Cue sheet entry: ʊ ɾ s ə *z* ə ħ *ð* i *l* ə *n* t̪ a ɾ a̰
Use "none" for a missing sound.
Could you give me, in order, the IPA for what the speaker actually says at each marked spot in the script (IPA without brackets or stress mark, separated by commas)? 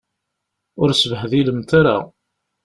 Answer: v, ð, l, m